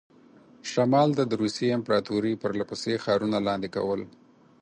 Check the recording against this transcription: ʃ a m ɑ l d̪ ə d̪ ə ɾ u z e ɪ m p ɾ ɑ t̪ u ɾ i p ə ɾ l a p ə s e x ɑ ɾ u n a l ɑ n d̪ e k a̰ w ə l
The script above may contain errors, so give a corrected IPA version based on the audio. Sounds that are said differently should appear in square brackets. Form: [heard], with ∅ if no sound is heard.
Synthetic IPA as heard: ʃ a m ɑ l d̪ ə d̪ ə ɾ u [s] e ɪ m p ɾ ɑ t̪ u ɾ i p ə ɾ l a p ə s e x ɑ ɾ u n a l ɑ n d̪ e k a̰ w ə l